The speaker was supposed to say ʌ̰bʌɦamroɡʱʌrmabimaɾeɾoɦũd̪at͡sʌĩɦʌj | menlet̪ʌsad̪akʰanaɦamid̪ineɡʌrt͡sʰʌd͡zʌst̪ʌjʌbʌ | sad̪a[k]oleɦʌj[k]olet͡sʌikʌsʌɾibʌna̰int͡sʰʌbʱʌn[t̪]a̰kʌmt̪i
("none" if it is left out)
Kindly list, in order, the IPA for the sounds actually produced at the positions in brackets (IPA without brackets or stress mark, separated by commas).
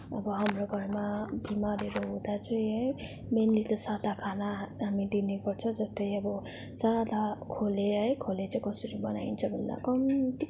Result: kʰ, kʰ, d̪